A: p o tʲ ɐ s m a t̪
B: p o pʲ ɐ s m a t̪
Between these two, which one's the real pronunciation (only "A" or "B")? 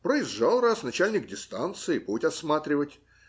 A